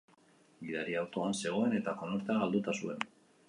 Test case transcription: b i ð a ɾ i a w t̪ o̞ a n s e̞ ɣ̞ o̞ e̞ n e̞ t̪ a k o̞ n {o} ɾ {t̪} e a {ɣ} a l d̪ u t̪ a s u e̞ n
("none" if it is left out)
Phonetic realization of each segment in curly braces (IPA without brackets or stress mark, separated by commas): o, t̪, ɣ